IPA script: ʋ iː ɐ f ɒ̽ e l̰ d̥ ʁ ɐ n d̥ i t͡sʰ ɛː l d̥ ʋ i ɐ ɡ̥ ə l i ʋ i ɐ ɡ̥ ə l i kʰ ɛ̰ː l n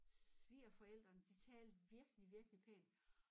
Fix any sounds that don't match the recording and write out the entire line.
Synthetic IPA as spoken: ʋ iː ɐ f ɒ̽ e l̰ d̥ ʁ ɐ n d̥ i t͡sʰ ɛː l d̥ ʋ i ɐ ɡ̥ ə l i ʋ i ɐ ɡ̥ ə l i pʰ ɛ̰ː n